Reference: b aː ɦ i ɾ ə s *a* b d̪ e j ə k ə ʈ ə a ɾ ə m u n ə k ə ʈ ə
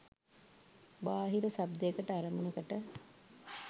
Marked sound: correct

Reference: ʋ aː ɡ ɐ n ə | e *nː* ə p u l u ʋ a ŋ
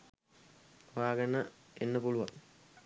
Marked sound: correct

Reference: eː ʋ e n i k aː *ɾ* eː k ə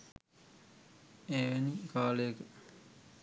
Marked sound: incorrect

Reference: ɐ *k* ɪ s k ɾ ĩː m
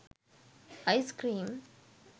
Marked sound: incorrect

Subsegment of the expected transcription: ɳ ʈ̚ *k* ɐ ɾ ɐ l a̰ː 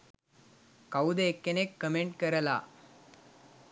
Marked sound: correct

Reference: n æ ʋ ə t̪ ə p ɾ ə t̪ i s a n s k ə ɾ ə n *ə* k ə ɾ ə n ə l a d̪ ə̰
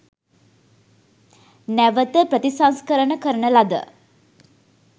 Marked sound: correct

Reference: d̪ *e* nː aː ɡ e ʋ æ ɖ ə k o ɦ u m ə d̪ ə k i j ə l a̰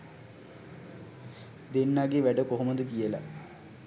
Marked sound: correct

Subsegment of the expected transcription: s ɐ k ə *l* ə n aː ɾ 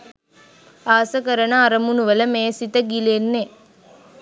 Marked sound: incorrect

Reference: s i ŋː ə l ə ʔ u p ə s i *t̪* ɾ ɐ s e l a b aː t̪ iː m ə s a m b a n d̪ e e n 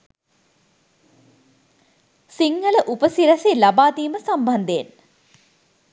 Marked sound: incorrect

